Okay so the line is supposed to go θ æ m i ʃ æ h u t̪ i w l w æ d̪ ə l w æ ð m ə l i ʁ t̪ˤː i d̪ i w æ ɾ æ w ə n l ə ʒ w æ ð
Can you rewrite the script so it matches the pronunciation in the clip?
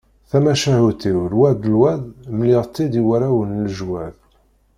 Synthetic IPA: θ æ m æ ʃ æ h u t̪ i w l w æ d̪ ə l w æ ð m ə l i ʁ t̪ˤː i d̪ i w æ ɾ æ w ə n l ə ʒ w æ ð